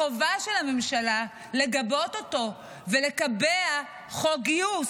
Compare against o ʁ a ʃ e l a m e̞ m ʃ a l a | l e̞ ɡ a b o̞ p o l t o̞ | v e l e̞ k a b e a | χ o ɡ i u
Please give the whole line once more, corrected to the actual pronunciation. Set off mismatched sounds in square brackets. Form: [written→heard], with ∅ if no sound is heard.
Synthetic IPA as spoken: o [ʁ→v] a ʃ e l a m e̞ m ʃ a l a | l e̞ ɡ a b o̞ [p→t] o [l→∅] t o̞ | v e l e̞ k a b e a | χ o ɡ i u